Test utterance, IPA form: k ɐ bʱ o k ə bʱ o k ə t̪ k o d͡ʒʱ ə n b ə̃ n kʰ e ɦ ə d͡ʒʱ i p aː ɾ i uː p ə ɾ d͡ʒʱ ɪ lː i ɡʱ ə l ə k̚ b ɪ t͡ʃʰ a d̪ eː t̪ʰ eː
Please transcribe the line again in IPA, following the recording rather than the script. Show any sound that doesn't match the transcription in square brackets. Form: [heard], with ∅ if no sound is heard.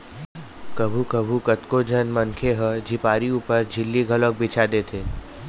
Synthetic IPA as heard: k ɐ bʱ [u] k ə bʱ [u] k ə t̪ k o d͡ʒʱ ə n [m] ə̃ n kʰ e ɦ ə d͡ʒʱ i p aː ɾ i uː p ə ɾ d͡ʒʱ ɪ lː i ɡʱ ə l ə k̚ b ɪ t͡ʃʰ a d̪ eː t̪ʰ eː